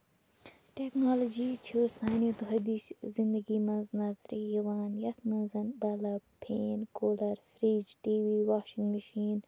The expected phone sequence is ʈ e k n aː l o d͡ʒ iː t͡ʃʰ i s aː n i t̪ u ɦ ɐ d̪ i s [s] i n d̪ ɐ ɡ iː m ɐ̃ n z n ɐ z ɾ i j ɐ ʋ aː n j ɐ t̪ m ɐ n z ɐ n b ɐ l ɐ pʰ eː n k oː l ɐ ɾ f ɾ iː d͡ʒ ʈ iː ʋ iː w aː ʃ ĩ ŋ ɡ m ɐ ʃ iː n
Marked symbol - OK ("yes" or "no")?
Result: no